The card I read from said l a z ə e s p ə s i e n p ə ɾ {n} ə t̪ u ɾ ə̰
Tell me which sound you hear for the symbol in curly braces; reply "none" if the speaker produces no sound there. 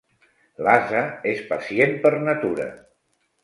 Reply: n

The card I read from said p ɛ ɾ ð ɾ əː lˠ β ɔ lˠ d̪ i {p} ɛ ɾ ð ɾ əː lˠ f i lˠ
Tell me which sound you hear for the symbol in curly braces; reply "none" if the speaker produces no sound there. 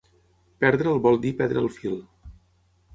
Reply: p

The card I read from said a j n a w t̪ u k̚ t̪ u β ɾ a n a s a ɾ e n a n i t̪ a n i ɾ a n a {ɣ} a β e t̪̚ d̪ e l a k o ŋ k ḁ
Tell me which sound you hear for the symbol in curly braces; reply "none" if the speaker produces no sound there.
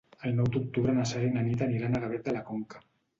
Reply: ɣ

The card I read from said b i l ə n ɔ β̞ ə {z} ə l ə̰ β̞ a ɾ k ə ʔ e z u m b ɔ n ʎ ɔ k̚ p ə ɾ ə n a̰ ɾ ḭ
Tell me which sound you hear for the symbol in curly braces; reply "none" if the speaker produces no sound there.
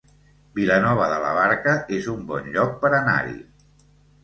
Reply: ð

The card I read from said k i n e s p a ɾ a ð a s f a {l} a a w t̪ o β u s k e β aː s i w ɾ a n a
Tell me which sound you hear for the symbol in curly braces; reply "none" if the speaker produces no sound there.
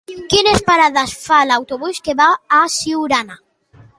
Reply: l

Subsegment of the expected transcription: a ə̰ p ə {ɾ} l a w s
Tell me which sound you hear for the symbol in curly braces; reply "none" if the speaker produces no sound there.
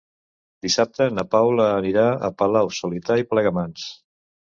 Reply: none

